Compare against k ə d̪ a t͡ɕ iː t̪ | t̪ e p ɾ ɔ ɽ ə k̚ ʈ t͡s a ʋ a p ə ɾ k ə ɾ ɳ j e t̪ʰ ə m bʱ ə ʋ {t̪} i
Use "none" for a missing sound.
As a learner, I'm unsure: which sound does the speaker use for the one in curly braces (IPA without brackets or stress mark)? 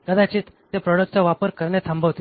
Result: t̪